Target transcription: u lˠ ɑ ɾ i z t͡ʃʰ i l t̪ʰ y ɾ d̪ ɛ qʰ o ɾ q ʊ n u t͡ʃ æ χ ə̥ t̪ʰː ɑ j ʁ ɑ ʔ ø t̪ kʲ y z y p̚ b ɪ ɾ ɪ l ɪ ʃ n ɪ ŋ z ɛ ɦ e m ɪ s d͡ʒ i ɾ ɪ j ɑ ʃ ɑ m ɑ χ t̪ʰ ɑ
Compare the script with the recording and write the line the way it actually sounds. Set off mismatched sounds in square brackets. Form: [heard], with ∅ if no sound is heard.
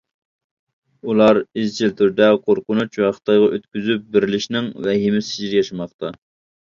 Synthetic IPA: u lˠ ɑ ɾ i z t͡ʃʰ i l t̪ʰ y ɾ d̪ ɛ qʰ o ɾ q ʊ n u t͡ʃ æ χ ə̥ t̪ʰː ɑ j ʁ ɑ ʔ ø t̪ kʲ y z y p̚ b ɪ ɾ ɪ l ɪ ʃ n ɪ ŋ [v] ɛ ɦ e m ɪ s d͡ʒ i ɾ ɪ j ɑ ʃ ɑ m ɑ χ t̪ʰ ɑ